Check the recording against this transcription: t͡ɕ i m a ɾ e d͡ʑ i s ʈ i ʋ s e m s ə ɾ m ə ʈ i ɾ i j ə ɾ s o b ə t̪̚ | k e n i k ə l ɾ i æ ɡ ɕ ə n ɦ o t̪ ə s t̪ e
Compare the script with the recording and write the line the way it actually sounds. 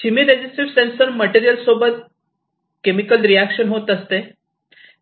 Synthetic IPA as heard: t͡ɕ i m i ɾ e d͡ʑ i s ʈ i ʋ s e n s ə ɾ m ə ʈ i ɾ i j ə l s o b ə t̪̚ | k e m i k ə l ɾ i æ k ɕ ə n ɦ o t̪ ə s t̪ e

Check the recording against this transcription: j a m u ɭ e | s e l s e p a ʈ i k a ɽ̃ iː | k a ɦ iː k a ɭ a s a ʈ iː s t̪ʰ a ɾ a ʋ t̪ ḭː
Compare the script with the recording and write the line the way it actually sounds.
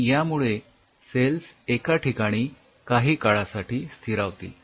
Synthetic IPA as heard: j a m u ɭ e | s e l s e k a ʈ i k a ɽ̃ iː | k a ɦ iː k a ɭ a s a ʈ iː s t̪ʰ i ɾ a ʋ t̪ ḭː

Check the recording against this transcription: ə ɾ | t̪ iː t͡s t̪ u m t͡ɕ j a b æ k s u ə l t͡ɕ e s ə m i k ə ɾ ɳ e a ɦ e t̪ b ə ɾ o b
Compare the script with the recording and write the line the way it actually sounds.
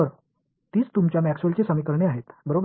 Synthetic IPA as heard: ə ɾ | t̪ iː t͡s t̪ u m t͡ɕ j a m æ k s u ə l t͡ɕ e s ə m i k ə ɾ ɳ e a ɦ e t̪ b ə ɾ o b

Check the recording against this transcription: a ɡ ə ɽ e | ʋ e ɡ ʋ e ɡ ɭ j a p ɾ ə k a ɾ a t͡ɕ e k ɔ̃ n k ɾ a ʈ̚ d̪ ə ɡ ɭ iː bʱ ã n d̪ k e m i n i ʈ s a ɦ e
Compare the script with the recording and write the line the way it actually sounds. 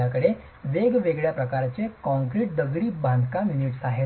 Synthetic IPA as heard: a k ə ɽ e | ʋ e ɡ ʋ e ɡ ɭ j a p ɾ ə k a ɾ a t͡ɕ e k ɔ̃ ŋ k ɾ i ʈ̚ d̪ ə ɡ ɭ iː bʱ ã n d̪ k a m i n i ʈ s a ɦ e

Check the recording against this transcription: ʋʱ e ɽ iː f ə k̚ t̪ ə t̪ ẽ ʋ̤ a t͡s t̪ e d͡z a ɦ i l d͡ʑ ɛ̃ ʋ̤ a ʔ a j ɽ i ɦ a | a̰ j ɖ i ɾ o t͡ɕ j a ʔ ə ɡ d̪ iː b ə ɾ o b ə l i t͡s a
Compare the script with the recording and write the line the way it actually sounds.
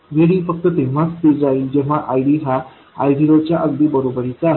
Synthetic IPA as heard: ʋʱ e ɽ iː f ə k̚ t̪ ə t̪ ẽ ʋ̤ a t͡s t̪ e d͡z a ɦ i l d͡ʑ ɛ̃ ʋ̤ a ʔ a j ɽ i ɦ a | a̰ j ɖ i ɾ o t͡ɕ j a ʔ ə ɡ d̪ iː b ə ɾ o b ə ɾ i t͡s a

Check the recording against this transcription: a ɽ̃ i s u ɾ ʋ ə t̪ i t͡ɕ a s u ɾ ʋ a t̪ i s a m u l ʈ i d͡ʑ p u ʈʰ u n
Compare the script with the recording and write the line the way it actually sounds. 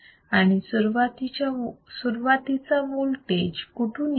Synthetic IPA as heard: a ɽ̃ i s u ɾ ʋ a t̪ i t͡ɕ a s u ɾ ʋ a t̪ i t͡s a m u l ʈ e d͡ʑ k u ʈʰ u n

